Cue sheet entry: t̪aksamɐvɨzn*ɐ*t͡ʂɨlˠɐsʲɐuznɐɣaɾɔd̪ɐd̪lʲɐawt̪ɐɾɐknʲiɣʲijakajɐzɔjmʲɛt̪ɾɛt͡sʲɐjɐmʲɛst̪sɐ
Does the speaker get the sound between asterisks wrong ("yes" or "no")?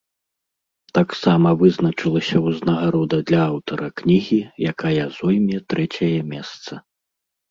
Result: no